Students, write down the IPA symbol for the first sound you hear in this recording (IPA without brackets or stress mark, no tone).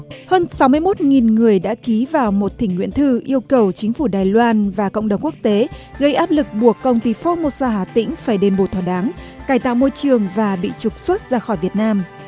h